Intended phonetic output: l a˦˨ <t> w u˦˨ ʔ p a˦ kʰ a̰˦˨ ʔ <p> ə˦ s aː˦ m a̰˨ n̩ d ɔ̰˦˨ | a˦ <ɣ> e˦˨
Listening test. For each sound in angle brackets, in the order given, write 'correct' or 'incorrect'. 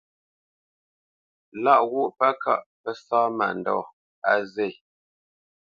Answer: incorrect: ʔ, correct, incorrect: z

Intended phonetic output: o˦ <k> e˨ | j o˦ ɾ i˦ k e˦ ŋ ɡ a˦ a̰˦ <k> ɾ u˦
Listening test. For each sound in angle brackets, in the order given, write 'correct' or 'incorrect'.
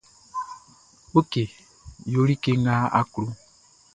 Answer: correct, correct

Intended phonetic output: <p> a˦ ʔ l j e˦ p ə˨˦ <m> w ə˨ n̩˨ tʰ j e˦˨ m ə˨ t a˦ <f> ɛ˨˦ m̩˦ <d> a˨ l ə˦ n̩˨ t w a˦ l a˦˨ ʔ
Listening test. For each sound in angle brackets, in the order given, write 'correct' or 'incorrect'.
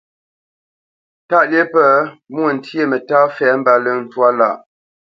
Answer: incorrect: t, correct, correct, incorrect: b

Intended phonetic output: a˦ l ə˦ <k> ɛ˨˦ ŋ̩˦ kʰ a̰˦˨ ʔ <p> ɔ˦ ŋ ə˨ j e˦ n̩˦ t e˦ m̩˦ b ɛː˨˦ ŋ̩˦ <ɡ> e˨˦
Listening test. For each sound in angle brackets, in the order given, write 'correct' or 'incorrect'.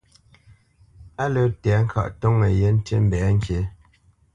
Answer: incorrect: t, incorrect: t, incorrect: k

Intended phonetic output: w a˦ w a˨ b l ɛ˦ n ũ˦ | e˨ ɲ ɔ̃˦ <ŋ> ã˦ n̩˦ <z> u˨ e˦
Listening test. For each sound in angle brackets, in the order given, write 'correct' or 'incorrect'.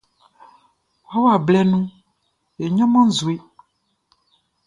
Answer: incorrect: m, correct

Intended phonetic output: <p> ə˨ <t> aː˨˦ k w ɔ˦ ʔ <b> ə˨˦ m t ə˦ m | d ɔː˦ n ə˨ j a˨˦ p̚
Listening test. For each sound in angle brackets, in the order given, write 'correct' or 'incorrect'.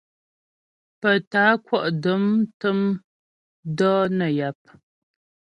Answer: correct, correct, incorrect: d

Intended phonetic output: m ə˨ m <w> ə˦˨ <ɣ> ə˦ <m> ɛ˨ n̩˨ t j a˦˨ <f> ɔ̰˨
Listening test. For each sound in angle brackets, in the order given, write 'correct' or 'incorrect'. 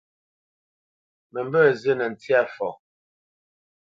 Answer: incorrect: b, incorrect: z, incorrect: n, correct

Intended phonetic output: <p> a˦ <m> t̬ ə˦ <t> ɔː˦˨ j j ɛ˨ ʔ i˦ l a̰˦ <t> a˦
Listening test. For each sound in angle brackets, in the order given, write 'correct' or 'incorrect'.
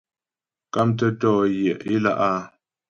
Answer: incorrect: k, correct, correct, incorrect: ʔ

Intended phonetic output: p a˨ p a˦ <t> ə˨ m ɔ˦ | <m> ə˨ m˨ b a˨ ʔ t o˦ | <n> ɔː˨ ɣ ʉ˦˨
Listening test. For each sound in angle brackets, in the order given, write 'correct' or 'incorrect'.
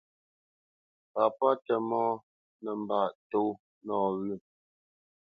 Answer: correct, incorrect: n, correct

